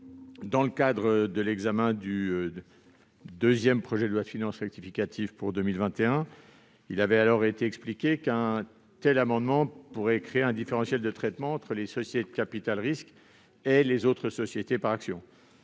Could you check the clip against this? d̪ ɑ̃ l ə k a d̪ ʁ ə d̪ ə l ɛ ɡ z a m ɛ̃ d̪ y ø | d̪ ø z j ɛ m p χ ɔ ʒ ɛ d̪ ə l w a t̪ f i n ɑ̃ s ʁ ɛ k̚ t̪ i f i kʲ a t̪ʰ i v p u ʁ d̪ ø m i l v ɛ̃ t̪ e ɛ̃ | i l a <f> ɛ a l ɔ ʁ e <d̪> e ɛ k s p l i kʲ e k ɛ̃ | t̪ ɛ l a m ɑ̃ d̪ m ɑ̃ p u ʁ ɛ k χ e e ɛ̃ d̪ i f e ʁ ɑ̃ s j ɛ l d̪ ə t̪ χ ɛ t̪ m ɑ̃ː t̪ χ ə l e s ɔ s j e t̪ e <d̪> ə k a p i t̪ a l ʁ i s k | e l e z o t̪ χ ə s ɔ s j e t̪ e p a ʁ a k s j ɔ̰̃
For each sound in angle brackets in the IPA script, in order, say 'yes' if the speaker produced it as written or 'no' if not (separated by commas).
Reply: no, no, yes